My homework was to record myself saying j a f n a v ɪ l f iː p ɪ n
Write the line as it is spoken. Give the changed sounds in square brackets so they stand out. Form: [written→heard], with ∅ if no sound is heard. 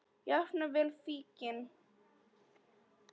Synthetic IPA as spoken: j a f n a v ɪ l f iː [p→c] ɪ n